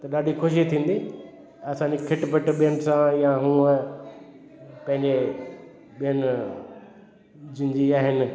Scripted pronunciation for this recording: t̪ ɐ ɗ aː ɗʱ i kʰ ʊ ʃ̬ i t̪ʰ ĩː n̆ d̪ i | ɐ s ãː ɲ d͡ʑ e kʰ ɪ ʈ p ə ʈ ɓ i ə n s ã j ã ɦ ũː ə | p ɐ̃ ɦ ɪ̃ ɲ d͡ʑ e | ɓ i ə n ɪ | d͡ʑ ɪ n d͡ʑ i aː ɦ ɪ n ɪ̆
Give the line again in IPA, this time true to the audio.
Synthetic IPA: t̪ ɐ ɗ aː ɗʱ i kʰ ʊ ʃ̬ i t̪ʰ ĩː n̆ d̪ i | ɐ s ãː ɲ d͡ʑ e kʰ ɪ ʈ p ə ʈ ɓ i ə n s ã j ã ɦ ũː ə | p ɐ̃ ɦ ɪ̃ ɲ d͡ʑ e | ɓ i ə n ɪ | d͡ʑ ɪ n d͡ʑ i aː ɦ ɪ n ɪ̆